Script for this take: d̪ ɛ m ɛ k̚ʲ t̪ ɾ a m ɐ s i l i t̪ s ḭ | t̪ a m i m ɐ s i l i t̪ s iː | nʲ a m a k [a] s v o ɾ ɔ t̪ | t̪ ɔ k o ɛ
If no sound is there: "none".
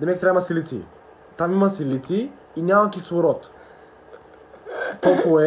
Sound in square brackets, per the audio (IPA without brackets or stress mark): i